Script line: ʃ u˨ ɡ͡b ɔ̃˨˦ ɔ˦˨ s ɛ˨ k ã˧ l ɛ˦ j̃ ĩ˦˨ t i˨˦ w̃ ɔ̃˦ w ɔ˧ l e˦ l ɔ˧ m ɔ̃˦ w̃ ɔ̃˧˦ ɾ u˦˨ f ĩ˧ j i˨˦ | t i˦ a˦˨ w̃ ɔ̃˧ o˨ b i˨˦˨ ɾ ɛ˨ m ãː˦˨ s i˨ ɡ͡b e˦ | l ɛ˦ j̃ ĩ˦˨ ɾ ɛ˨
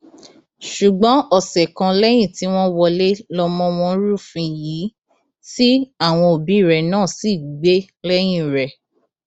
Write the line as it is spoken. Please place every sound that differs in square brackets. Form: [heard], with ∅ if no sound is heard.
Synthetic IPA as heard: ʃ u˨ ɡ͡b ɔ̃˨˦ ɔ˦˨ s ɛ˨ k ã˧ l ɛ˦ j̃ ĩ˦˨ t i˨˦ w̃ ɔ̃˦ w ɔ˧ l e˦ l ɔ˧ m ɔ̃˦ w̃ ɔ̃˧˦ ɾ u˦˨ f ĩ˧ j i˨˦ | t i˦ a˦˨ w̃ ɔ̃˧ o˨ b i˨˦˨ ɾ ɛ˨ [n] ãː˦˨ s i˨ ɡ͡b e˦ | l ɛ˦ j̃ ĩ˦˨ ɾ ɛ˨